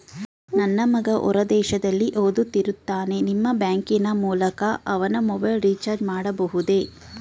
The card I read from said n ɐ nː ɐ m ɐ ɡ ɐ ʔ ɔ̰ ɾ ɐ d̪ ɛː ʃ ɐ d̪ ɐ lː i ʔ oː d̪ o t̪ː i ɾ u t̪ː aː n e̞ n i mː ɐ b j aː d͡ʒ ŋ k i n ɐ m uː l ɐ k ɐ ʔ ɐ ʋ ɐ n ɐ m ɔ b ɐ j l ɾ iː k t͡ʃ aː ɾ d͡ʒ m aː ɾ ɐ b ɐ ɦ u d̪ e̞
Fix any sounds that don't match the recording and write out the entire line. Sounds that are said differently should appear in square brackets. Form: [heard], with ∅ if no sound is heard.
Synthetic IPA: n ɐ nː ɐ m ɐ ɡ ɐ ʔ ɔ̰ ɾ ɐ d̪ ɛː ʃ ɐ d̪ ɐ lː i ʔ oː d̪ [u] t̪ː i ɾ u t̪ː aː n e̞ n i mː ɐ b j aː [∅] ŋ k i n ɐ m uː l ɐ k ɐ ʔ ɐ ʋ ɐ n ɐ m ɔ b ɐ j l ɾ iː [∅] t͡ʃ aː ɾ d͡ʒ m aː [ɽ] ɐ b ɐ ɦ u d̪ e̞